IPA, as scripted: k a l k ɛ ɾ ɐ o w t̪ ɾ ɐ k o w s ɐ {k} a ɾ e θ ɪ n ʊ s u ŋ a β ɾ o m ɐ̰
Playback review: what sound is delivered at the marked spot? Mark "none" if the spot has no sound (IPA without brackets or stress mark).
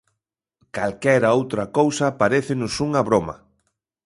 p